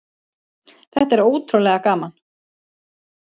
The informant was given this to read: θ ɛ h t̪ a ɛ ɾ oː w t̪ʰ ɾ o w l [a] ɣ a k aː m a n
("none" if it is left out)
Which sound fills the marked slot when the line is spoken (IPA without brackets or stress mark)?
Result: ɛ